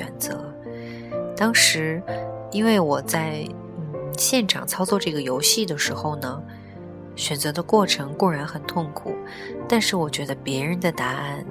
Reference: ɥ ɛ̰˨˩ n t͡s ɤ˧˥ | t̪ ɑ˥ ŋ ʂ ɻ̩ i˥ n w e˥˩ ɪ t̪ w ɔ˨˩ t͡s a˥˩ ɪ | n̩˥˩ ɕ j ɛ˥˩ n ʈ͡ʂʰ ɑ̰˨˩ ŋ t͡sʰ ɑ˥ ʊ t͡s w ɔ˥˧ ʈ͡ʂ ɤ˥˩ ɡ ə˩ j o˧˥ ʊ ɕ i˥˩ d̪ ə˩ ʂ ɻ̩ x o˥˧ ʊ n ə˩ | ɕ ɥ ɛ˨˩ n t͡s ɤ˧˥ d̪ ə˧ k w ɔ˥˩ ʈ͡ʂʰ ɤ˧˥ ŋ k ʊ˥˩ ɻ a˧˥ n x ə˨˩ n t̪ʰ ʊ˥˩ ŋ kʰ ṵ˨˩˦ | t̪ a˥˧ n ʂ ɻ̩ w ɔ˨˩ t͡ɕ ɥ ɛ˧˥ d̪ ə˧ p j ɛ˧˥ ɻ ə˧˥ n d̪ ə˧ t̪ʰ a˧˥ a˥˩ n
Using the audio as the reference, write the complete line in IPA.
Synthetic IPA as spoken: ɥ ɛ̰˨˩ n t͡s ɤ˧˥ | t̪ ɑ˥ ŋ ʂ ɻ̩ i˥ n w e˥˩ ɪ w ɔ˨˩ t͡s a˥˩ ɪ | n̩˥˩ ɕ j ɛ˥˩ n ʈ͡ʂʰ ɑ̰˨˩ ŋ t͡sʰ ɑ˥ ʊ t͡s w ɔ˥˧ ʈ͡ʂ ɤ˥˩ ɡ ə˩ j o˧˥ ʊ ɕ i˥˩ d̪ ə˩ ʂ ɻ̩ x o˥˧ ʊ n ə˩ | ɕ ɥ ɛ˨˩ n t͡s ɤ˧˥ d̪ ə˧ k w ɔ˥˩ ʈ͡ʂʰ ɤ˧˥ ŋ k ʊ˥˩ ɻ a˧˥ n x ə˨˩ n t̪ʰ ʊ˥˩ ŋ kʰ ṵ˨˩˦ | t̪ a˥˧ n ʂ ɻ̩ w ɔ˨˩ t͡ɕ ɥ ɛ˧˥ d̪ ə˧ p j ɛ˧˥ ɻ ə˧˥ n d̪ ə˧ t̪ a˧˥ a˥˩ n